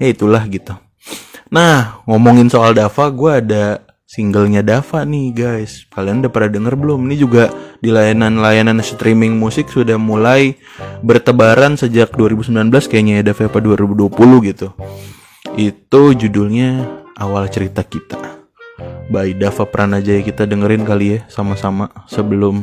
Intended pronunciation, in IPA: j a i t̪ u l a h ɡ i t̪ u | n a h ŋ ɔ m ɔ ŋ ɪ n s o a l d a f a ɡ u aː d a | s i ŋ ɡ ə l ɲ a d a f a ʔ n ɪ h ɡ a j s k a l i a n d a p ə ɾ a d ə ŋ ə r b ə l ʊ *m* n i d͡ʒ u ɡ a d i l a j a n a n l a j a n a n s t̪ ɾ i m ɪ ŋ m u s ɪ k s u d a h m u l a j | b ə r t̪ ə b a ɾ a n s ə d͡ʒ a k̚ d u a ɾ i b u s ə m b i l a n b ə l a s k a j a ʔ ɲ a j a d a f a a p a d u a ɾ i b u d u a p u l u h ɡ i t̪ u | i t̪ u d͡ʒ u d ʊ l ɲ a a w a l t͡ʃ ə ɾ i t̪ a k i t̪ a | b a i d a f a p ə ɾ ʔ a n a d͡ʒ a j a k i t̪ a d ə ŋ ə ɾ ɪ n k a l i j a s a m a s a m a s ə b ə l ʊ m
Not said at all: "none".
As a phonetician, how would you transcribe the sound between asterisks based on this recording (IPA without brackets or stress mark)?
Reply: m